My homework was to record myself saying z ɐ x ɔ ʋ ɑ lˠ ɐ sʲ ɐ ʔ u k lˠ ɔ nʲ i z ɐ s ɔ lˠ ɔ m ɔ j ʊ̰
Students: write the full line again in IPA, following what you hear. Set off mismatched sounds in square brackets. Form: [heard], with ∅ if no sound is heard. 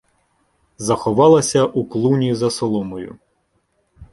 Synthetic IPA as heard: z ɐ x ɔ ʋ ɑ lˠ ɐ sʲ ɐ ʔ u k lˠ [u] nʲ i z ɐ s ɔ lˠ ɔ m ɔ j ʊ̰